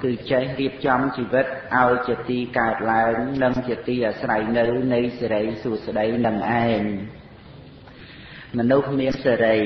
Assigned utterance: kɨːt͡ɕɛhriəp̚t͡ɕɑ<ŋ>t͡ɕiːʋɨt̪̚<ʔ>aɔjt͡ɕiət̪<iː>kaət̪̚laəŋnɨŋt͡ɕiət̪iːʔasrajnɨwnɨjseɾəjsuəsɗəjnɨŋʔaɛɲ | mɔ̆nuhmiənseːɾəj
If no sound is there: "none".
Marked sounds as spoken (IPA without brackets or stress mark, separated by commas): m, ʔ, iː